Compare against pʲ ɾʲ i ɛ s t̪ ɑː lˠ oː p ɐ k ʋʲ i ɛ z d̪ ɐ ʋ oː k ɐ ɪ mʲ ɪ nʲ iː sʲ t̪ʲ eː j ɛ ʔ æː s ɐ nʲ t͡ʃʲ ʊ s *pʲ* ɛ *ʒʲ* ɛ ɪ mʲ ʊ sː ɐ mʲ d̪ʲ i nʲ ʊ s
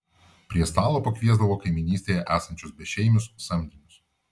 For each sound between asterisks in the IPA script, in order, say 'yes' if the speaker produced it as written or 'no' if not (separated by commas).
no, no